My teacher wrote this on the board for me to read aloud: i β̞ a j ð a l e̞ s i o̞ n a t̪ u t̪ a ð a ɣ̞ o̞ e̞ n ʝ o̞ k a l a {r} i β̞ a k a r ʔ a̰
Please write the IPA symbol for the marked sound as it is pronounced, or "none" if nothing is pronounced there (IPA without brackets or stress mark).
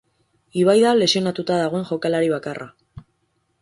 ɾ